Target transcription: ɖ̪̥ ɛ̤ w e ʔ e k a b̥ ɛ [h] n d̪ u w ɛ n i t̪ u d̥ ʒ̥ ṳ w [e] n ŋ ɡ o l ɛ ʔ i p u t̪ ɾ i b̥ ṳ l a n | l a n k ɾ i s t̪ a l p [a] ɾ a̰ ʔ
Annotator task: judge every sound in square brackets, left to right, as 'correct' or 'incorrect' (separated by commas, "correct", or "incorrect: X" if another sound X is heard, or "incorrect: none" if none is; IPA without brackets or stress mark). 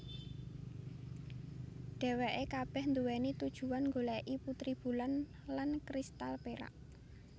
correct, incorrect: a, incorrect: e